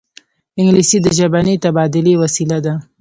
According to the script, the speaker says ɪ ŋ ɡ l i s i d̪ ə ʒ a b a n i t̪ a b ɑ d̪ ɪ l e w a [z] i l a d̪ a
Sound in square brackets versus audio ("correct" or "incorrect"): incorrect